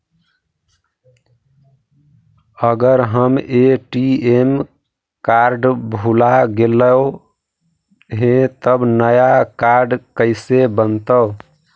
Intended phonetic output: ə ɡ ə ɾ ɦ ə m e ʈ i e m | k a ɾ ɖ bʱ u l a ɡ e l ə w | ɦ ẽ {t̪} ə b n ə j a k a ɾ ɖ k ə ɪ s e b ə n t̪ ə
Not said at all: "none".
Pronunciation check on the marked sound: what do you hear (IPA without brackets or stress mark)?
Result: t̪